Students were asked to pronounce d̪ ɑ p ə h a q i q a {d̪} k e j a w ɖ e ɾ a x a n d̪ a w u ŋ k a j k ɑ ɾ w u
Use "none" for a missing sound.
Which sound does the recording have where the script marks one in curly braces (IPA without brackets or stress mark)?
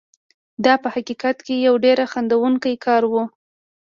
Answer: t̪